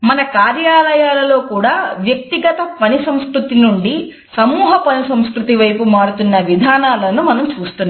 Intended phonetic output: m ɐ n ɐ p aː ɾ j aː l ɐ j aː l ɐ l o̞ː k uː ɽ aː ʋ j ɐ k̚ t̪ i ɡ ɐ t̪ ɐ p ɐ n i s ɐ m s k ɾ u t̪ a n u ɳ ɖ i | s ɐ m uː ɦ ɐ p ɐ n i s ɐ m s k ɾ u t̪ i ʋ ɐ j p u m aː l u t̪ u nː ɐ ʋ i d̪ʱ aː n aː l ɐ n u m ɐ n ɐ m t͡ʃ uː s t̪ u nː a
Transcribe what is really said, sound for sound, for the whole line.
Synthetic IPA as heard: m ɐ n ɐ k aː ɾ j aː l ɐ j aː l ɐ l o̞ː k uː ɽ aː ʋ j ɐ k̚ t̪ i ɡ ɐ t̪ ɐ p ɐ n i s ɐ m s k ɾ u t̪ i n u ɳ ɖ i | s ɐ m uː ɦ ɐ p ɐ n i s ɐ m s k ɾ u t̪ i ʋ ɐ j p u m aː ɽ u t̪ u nː ɐ ʋ i d̪ʱ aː n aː l ɐ n u m ɐ n ɐ m t͡ʃ uː s t̪ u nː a